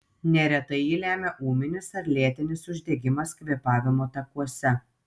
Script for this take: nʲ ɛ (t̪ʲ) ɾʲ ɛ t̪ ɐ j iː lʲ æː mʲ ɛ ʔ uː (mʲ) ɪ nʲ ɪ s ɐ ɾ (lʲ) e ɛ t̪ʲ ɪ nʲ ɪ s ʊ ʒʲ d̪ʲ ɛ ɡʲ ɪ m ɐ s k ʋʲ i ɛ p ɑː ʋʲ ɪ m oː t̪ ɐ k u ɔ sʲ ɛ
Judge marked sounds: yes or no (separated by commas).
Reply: no, yes, yes